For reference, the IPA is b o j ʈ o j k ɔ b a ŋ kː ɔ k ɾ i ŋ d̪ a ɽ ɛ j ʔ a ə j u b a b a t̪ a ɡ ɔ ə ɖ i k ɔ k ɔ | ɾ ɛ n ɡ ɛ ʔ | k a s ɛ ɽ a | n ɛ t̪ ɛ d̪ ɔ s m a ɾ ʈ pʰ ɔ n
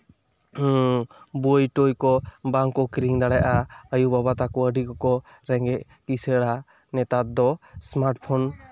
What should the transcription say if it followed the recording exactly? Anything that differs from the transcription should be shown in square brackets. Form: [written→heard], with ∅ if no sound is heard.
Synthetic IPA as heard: b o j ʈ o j k ɔ b a ŋ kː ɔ k ɾ i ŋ d̪ a ɽ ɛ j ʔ a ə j u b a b a t̪ a [ɡ→k] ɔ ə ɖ i k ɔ k ɔ | ɾ ɛ [n→ŋ] ɡ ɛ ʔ | k [a→i] s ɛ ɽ a | n ɛ t̪ [ɛ→a] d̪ ɔ s m a ɾ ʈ pʰ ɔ n

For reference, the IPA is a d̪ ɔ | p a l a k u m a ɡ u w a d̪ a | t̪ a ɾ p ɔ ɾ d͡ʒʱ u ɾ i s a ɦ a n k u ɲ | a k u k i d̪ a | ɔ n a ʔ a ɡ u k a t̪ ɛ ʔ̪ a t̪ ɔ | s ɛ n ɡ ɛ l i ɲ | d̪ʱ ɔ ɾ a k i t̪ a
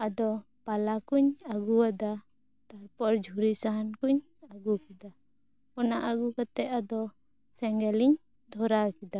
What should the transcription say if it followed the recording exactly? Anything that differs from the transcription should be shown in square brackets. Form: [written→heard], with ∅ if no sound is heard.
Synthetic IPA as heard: a d̪ ɔ | p a l a k u [m→ɲ] a ɡ u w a d̪ a | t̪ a ɾ p ɔ ɾ d͡ʒʱ u ɾ i s a ɦ a n k u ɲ | a [k→ɡ] u k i d̪ a | ɔ n a ʔ a ɡ u k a t̪ ɛ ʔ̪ a [t̪→d̪] ɔ | s ɛ [n→ŋ] ɡ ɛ l i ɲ | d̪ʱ ɔ ɾ a k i [t̪→d̪] a

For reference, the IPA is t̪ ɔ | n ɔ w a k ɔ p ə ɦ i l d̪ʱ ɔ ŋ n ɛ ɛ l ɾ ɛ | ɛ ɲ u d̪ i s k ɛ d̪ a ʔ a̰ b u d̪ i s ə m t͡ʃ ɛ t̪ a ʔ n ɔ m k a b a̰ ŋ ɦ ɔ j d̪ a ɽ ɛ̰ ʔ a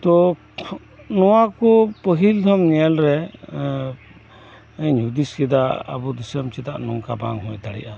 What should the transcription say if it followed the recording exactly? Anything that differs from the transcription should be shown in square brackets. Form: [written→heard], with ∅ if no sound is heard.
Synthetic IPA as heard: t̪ ɔ | n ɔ w a k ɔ p ə ɦ i l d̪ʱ ɔ [ŋ→m] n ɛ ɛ l ɾ ɛ | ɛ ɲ u d̪ i s k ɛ d̪ a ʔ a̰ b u d̪ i s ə m t͡ʃ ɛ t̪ a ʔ n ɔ [m→ŋ] k a b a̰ ŋ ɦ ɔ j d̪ a ɽ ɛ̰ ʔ a

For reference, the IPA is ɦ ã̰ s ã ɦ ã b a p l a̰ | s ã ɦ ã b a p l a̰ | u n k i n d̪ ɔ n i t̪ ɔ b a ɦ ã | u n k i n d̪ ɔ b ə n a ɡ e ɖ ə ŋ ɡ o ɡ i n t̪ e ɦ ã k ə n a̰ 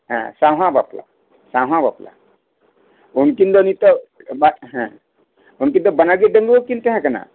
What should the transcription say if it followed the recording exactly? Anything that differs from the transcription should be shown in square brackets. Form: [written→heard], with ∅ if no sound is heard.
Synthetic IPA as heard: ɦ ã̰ s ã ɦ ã b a p l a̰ | s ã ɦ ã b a p l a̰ | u n k i n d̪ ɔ n i t̪ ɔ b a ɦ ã | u n k i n d̪ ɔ b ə n a ɡ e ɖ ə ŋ ɡ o [ɡ→k] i n t̪ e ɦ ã k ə n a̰

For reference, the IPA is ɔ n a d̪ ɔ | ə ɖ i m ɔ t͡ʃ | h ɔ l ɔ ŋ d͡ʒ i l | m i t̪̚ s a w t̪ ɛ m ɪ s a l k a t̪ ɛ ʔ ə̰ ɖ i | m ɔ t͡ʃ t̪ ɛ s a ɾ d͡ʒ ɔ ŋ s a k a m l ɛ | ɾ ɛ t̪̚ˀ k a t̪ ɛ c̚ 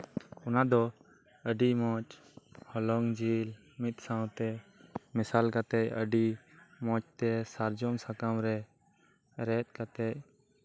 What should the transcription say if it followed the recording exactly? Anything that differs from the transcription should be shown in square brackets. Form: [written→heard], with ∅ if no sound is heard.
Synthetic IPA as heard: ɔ n a d̪ ɔ | ə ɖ i m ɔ t͡ʃ | h ɔ l ɔ ŋ d͡ʒ i l | m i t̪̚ s a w t̪ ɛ m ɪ s a l k a t̪ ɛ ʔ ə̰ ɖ i | m ɔ t͡ʃ t̪ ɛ s a ɾ d͡ʒ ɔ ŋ s a k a m [l→ɾ] ɛ | ɾ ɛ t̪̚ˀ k a t̪ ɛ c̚

